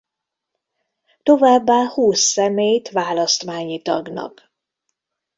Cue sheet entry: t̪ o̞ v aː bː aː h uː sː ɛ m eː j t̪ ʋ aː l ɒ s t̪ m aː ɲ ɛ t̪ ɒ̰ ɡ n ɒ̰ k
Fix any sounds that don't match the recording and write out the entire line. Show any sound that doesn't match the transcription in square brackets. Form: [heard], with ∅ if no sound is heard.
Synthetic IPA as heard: t̪ o̞ v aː bː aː h uː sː ɛ m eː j t̪ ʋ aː l ɒ s t̪ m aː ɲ [i] t̪ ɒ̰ ɡ n ɒ̰ k

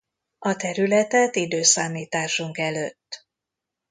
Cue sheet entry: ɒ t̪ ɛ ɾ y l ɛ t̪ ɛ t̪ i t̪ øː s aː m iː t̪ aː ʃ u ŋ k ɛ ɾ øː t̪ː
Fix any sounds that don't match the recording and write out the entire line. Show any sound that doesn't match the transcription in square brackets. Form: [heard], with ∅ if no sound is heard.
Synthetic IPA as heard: ɒ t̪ ɛ ɾ y l ɛ t̪ ɛ t̪ i [d̪] øː s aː m iː t̪ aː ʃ u ŋ k ɛ [l] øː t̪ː

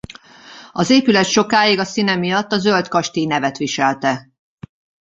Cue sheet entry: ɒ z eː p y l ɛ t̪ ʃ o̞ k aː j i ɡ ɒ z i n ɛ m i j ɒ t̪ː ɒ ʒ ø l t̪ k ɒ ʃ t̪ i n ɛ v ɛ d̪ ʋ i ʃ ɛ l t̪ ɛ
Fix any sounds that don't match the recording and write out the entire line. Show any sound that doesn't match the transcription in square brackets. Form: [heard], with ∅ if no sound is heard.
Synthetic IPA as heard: ɒ z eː p y l ɛ t̪ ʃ o̞ k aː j i ɡ ɒ [s] i n ɛ m i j ɒ t̪ː ɒ [z] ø l t̪ k ɒ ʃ t̪ i n ɛ v ɛ [t̪] ʋ i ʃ ɛ l t̪ ɛ

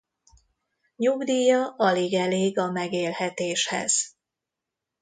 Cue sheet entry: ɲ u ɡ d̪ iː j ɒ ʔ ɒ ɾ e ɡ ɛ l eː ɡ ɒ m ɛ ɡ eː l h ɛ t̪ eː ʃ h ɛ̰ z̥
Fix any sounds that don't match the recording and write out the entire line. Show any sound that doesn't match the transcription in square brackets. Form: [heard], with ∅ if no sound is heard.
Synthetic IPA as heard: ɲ u ɡ d̪ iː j ɒ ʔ ɒ [l] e ɡ ɛ l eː ɡ ɒ m ɛ ɡ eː l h ɛ t̪ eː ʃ h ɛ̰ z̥

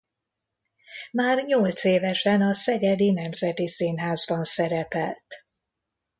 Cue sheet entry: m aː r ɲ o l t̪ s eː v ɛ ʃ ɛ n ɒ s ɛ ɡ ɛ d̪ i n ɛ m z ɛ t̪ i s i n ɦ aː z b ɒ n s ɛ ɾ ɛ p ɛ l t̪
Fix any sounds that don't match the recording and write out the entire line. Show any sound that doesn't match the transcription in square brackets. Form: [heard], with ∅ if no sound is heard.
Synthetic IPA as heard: m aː r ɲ o l t̪ s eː v ɛ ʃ ɛ n ɒ s ɛ ɡ ɛ d̪ i n ɛ m z ɛ t̪ i s i n ɦ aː z b ɒ n s ɛ ɾ ɛ p ɛ l t̪

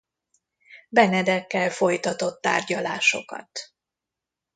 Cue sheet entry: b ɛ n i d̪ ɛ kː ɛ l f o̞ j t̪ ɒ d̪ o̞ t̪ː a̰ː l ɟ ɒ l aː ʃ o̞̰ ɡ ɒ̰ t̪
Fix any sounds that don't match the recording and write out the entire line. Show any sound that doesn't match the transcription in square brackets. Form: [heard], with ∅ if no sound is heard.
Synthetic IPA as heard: b ɛ n [ɛ] d̪ ɛ kː ɛ l f o̞ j t̪ ɒ [t̪] o̞ t̪ː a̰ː [r] ɟ ɒ l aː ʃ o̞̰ [k] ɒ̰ t̪

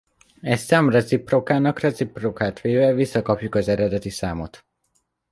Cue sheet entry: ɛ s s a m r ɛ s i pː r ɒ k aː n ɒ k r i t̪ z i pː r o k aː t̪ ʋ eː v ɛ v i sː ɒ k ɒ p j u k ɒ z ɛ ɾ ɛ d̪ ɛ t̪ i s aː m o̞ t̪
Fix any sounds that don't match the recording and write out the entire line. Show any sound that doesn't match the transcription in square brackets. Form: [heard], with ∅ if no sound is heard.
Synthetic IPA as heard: ɛ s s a m r ɛ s i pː r [o] k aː n ɒ k r [ɛ] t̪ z i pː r o k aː t̪ ʋ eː v ɛ v i sː ɒ k ɒ p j u k ɒ z ɛ ɾ ɛ d̪ ɛ t̪ i s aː m o̞ t̪

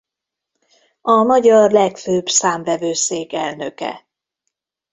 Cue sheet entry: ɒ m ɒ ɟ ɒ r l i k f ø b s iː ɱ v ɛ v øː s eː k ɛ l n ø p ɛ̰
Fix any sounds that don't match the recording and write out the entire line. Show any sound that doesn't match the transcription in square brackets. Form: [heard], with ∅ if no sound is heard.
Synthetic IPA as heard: ɒ m ɒ ɟ ɒ r l [ɛ] k f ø b s [aː] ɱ v ɛ v øː s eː k ɛ l n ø [k] ɛ̰

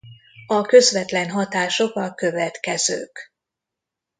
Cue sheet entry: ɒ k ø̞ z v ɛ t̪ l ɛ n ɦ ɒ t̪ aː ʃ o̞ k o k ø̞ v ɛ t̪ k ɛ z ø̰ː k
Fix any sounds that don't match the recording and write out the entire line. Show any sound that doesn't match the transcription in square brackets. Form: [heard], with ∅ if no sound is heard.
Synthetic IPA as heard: ɒ k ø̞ z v ɛ t̪ l ɛ n ɦ ɒ t̪ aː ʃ o̞ k [ɒ] k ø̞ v ɛ t̪ k ɛ z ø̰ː k

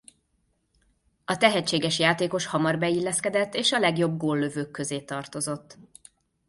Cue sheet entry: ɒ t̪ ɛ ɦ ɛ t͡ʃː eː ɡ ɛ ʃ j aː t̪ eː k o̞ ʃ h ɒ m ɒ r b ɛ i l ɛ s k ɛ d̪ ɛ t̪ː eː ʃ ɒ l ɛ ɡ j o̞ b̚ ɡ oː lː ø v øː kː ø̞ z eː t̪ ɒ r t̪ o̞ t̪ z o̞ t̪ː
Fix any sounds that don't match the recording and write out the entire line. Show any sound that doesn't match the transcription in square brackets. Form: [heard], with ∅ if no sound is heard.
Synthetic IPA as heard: ɒ t̪ ɛ ɦ ɛ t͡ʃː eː ɡ ɛ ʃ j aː t̪ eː k o̞ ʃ h ɒ m ɒ r b ɛ i [lː] ɛ s k ɛ d̪ ɛ t̪ː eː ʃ ɒ l ɛ ɡ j o̞ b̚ ɡ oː lː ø v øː kː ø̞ z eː t̪ ɒ r t̪ o̞ [∅] z o̞ t̪ː

